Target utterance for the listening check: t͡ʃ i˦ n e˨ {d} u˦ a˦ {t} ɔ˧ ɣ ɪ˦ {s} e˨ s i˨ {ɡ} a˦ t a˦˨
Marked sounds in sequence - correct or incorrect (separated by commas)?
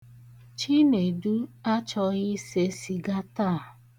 correct, incorrect, correct, correct